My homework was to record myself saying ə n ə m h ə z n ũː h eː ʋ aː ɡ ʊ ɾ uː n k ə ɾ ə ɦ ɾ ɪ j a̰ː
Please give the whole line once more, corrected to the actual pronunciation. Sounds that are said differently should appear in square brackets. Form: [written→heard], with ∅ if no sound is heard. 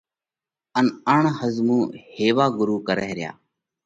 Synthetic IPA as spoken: ə n ə [m→ɳ] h ə z [n→m] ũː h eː ʋ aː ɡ ʊ ɾ uː [n→∅] k ə ɾ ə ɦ ɾ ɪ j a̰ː